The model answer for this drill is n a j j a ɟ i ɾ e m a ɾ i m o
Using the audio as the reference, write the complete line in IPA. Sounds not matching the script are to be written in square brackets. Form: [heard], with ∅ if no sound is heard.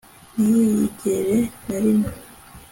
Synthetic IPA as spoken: n [i] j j [i] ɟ [e] ɾ e [n] a ɾ i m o